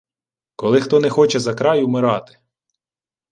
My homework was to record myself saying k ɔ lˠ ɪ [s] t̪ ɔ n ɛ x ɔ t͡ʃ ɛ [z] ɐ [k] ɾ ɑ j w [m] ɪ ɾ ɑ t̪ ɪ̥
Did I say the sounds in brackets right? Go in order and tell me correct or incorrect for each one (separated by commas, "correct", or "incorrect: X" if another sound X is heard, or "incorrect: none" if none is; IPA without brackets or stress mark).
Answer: incorrect: x, correct, correct, correct